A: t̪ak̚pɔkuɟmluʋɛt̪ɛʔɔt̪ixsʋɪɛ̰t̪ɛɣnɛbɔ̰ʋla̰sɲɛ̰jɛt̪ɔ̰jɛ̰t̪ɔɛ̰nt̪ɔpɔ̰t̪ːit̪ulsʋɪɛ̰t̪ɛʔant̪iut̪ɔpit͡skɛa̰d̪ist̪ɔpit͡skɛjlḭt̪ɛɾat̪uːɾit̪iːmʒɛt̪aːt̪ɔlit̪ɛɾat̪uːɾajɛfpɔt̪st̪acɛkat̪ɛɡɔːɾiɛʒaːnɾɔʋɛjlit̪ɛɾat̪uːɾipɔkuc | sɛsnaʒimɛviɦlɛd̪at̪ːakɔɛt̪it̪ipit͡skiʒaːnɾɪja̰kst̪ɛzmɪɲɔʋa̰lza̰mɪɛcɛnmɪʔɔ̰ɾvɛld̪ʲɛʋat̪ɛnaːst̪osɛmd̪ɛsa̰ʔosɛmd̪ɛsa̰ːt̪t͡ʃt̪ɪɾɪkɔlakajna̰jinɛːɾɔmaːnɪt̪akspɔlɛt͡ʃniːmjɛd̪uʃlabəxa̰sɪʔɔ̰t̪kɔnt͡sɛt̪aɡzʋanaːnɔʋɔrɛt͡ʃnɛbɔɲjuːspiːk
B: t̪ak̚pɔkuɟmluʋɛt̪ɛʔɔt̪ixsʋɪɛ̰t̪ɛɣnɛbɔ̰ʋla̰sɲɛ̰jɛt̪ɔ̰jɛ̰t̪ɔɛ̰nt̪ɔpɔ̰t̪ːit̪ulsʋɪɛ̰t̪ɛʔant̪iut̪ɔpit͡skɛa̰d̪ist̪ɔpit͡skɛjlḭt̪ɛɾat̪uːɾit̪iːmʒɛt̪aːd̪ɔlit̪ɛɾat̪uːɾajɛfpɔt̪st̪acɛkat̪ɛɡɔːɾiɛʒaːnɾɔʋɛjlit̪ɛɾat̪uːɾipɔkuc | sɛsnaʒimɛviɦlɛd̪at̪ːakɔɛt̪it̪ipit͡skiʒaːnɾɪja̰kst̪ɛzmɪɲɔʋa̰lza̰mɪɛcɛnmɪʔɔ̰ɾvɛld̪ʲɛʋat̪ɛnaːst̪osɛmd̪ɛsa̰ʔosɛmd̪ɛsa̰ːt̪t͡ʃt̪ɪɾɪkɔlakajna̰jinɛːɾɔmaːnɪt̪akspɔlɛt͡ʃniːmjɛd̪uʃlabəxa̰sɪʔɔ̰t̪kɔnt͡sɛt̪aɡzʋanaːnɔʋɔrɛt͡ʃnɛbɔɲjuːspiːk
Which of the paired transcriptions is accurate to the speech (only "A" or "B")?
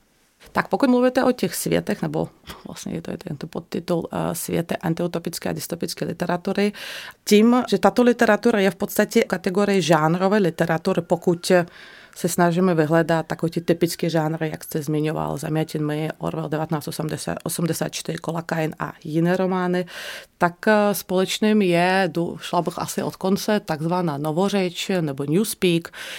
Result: A